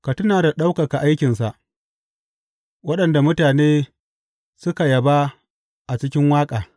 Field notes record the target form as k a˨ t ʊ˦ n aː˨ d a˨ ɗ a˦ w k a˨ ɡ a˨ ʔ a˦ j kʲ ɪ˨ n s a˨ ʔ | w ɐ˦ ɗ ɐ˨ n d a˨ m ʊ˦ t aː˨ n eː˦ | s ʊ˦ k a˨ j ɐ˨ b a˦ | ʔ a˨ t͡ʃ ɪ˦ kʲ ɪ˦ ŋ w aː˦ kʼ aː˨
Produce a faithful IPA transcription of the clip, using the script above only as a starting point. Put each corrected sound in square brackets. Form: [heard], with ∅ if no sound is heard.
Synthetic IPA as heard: k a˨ t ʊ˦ n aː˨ d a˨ ɗ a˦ w k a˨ [k] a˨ ʔ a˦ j kʲ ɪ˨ n s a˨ ʔ | w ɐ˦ ɗ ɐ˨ n d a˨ m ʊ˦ t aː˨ n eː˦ | s ʊ˦ k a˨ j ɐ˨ b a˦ | ʔ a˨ t͡ʃ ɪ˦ kʲ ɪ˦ ŋ w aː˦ kʼ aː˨